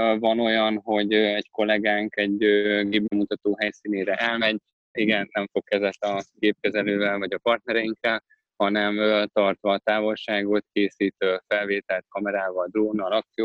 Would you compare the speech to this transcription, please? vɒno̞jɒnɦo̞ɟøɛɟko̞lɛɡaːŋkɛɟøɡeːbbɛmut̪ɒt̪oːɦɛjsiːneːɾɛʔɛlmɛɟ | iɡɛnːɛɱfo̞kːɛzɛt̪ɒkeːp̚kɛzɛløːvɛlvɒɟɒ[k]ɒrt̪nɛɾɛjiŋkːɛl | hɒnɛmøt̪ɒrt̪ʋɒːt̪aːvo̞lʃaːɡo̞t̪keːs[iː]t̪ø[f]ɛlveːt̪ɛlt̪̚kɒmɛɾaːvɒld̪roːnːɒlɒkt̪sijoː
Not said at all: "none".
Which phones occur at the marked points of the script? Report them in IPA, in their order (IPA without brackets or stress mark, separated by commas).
p, iː, f